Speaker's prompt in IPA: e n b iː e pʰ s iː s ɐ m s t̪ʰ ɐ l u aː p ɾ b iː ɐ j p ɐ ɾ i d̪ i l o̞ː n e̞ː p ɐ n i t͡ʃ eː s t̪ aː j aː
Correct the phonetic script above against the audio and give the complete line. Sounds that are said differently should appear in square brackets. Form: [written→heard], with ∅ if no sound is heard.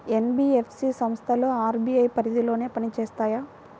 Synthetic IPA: e n b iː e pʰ s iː s ɐ m s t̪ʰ ɐ l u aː [p→∅] ɾ b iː ɐ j p ɐ ɾ i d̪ i l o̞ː n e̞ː p ɐ n i t͡ʃ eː s t̪ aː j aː